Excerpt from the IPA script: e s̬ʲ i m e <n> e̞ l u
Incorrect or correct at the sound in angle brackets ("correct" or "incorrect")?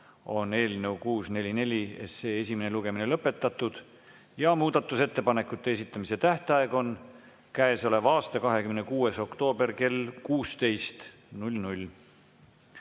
correct